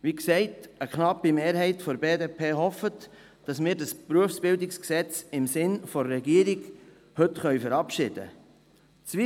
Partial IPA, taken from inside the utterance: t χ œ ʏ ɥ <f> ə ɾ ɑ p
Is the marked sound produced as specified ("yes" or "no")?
yes